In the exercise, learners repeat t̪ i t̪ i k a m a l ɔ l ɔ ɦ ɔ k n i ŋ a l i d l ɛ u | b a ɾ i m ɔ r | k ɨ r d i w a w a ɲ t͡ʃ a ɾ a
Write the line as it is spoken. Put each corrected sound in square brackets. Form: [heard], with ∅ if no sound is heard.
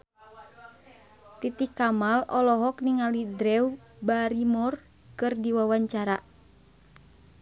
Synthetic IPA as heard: t̪ i t̪ i k a m a l ɔ l ɔ ɦ ɔ k n i ŋ a l i d [ɾ] ɛ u | b a ɾ i m ɔ r | k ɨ r d i w a w a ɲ t͡ʃ a ɾ a

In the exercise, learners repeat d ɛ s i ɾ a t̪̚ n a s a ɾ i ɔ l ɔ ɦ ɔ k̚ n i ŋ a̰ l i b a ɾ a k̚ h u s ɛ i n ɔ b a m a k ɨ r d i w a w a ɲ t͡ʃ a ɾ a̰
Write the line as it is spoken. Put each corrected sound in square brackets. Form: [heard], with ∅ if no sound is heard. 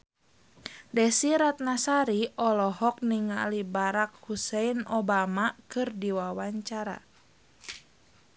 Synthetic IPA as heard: d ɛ s i ɾ a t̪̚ n a s a ɾ i ɔ l ɔ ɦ ɔ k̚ n i ŋ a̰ l i b a ɾ a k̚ h u s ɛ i n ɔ b a m a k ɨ r d i w a w a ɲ t͡ʃ a ɾ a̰

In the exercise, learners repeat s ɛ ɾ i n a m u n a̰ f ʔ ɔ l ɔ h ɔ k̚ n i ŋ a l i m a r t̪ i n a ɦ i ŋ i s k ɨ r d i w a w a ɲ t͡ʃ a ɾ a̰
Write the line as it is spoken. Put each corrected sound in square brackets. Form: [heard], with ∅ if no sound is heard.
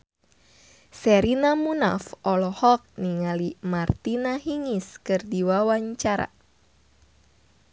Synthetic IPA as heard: s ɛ ɾ i n a m u n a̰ f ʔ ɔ l ɔ h ɔ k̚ n i ŋ a l i m a r t̪ i n a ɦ i ŋ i s k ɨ r d i w a w a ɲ t͡ʃ a ɾ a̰

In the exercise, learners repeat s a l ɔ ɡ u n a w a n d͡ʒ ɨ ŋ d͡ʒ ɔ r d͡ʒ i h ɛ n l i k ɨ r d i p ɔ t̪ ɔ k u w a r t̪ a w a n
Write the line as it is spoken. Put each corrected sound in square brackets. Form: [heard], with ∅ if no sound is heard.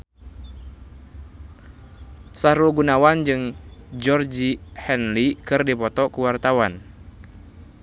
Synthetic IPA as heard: s a [ɾ] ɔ ɡ u n a w a n d͡ʒ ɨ ŋ d͡ʒ ɔ r d͡ʒ i h ɛ n l i k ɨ r d i p ɔ t̪ ɔ k u w a r t̪ a w a n

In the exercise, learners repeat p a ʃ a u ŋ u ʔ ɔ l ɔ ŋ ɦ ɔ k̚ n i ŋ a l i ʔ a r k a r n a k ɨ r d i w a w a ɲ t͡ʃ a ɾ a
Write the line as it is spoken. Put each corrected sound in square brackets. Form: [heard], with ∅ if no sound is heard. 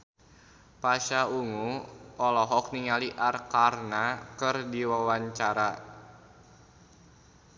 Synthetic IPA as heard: p a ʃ a u ŋ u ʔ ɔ l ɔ [∅] ɦ ɔ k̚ n i ŋ a l i ʔ a r k a r n a k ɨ r d i w a w a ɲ t͡ʃ a ɾ a

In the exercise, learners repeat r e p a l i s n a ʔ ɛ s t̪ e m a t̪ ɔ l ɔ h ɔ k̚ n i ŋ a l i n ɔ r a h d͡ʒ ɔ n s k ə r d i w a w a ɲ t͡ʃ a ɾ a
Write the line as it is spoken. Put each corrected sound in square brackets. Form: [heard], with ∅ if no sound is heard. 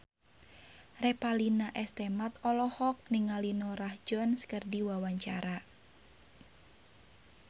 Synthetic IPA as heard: r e p a l i [∅] n a ʔ ɛ s t̪ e m a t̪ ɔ l ɔ h ɔ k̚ n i ŋ a l i n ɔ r a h d͡ʒ ɔ n s k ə r d i w a w a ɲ t͡ʃ a ɾ a

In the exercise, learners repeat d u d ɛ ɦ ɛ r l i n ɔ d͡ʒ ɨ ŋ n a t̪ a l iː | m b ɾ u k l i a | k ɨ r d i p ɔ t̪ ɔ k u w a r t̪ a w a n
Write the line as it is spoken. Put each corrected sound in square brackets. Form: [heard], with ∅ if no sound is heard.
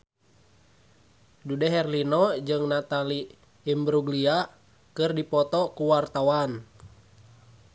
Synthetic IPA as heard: d u d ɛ ɦ ɛ r l i n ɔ d͡ʒ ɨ ŋ n a t̪ a l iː | m b ɾ u [ɡ] l i a | k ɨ r d i p ɔ t̪ ɔ k u w a r t̪ a w a n

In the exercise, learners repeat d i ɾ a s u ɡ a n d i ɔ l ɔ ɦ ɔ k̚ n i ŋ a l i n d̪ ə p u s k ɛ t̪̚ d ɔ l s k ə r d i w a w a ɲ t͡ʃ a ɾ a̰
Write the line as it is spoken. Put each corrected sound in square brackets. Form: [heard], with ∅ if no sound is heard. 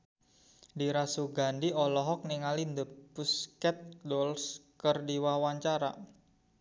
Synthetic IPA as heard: d i ɾ a s u ɡ a n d i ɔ l ɔ ɦ ɔ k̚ n i ŋ a l i n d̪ ə p u s k ɛ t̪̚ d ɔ l s k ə r d i w a w a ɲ t͡ʃ a ɾ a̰

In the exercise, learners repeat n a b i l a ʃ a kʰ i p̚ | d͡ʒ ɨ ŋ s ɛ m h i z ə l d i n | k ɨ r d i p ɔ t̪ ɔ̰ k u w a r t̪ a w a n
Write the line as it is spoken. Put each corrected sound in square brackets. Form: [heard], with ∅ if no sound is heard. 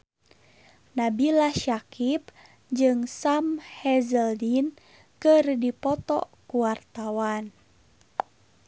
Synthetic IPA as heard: n a b i l a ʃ a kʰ i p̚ | d͡ʒ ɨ ŋ s [a] m h [ɛ] z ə l d i n | k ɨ r d i p ɔ t̪ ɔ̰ k u w a r t̪ a w a n

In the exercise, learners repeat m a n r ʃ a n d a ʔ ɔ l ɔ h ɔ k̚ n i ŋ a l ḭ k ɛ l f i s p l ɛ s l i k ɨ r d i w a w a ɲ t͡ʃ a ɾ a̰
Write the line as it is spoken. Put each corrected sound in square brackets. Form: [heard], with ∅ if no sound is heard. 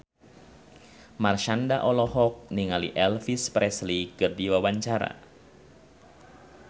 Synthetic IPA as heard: m a [∅] r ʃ a n d a ʔ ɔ l ɔ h ɔ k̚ n i ŋ a l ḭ [ʔ] ɛ l f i s p [ɾ] ɛ s l i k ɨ r d i w a w a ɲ t͡ʃ a ɾ a̰

